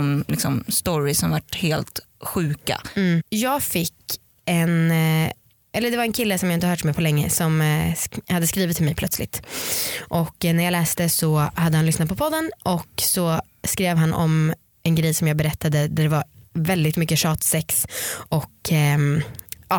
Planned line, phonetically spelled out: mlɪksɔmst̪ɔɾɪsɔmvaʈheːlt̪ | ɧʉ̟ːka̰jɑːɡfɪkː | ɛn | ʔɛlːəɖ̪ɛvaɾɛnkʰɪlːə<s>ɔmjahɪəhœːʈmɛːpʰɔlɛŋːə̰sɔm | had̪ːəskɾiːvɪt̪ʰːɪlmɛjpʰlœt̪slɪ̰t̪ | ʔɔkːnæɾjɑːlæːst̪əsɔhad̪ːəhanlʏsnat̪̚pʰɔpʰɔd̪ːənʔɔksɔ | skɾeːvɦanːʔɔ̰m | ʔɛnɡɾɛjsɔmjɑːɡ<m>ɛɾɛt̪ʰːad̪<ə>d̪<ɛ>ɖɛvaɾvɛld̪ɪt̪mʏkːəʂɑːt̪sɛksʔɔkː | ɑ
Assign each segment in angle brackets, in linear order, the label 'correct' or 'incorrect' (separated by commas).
correct, incorrect, correct, incorrect